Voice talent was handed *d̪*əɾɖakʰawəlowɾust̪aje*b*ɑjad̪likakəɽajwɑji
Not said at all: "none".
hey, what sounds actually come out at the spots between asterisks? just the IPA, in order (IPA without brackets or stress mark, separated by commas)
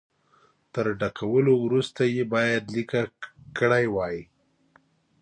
t̪, b